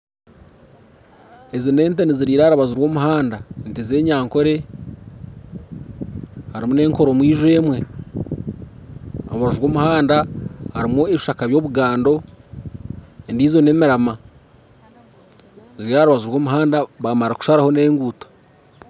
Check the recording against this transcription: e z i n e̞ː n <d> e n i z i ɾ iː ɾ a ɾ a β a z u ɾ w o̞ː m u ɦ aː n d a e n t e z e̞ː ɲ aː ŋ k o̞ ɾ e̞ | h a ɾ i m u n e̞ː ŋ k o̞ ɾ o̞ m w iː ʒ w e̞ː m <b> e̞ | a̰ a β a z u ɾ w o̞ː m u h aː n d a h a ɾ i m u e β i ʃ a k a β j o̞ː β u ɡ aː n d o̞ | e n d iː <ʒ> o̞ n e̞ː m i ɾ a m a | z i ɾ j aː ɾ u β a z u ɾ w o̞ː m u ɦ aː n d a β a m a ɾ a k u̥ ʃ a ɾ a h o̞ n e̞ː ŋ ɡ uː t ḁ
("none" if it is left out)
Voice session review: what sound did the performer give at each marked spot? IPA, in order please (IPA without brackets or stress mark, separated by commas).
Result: t, w, z